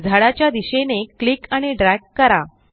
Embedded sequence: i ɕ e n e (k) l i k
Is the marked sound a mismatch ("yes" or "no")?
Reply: no